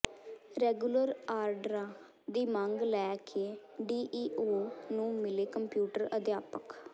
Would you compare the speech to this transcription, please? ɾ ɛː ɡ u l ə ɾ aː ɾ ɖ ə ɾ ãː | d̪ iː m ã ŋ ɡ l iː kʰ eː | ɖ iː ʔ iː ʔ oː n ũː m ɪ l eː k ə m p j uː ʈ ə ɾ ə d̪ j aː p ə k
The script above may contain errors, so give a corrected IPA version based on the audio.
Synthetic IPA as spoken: ɾ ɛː ɡ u l ə ɾ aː ɾ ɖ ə ɾ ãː | d̪ iː m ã ŋ ɡ l ɛː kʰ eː | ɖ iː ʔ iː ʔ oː n ũː m ɪ l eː k ə m p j uː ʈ ə ɾ ə d̪ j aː p ə k